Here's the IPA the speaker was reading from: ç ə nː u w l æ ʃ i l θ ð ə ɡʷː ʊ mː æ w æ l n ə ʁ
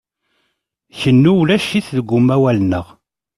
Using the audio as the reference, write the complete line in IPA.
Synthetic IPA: ç ə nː u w l æ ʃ i θ ð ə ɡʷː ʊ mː æ w æ l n ə ʁ